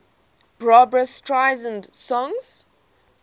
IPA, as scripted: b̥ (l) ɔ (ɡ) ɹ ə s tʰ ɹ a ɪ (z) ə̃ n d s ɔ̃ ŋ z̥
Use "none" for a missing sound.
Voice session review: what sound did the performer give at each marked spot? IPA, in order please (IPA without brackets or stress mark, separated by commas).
ɹ, b, z